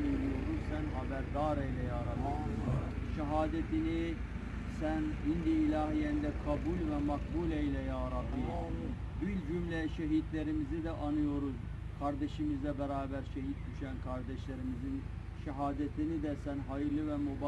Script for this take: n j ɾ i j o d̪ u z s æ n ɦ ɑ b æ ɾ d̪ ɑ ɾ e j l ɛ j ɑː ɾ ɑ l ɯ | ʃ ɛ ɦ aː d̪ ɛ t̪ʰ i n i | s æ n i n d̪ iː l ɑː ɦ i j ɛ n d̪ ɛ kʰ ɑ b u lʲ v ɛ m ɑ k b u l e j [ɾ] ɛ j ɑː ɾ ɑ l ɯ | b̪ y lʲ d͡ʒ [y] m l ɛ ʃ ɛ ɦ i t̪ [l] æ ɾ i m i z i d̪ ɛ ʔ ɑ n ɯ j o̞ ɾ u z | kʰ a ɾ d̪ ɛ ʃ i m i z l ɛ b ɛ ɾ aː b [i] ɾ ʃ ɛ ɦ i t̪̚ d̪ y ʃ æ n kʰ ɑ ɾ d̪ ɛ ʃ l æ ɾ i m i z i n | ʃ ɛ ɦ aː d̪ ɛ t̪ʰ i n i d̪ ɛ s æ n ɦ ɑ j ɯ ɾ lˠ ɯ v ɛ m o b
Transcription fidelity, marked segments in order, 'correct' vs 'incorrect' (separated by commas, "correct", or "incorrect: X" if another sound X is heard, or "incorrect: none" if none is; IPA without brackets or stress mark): incorrect: l, correct, correct, incorrect: æ